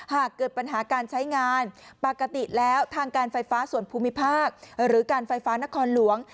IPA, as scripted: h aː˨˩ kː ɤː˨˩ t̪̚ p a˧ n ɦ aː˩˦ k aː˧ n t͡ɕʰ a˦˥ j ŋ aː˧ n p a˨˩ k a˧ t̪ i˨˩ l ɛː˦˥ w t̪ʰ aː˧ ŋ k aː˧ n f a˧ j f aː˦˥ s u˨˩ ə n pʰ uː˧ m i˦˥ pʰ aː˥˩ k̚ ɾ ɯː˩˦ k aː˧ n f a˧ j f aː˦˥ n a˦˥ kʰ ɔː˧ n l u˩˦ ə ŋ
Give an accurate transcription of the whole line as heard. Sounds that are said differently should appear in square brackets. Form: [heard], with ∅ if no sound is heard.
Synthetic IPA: h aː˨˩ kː ɤː˨˩ t̪̚ p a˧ n ɦ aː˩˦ k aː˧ n t͡ɕʰ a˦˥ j ŋ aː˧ n p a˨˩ k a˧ t̪ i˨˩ l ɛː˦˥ w t̪ʰ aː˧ ŋ k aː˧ n f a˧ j f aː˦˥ s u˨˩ ə n pʰ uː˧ m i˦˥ pʰ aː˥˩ k̚ ɾ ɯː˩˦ k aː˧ n f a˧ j f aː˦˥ n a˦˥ kʰ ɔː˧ n l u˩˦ ə ŋ